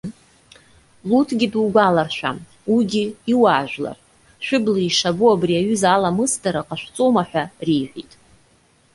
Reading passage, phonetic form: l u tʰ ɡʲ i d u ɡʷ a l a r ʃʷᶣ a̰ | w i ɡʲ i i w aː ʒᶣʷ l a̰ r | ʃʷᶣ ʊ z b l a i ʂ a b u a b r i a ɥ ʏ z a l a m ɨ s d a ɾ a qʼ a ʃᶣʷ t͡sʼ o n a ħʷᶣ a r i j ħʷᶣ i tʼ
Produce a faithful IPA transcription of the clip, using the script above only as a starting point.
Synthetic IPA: l u tʰ ɡʲ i d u ɡʷ a l a r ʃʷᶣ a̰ | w i ɡʲ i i w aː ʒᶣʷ l a̰ r | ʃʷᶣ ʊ b l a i ʂ a b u a b r i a ɥ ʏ z a l a m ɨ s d a ɾ a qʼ a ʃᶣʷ t͡sʼ o m a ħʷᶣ a r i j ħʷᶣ i tʼ